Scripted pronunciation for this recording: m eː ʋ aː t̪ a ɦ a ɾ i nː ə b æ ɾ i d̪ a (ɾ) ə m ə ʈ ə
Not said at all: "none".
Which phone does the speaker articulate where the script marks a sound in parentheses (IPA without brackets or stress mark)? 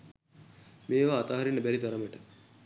ɾ